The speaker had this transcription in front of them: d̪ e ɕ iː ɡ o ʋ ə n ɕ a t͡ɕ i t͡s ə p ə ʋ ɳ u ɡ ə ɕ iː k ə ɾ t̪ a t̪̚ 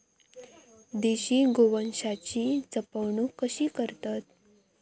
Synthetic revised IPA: d̪ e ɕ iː ɡ o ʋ ə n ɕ a t͡ɕ i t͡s ə p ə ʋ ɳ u k ə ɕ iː k ə ɾ t̪ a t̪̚